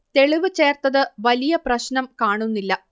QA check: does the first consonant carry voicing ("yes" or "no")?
no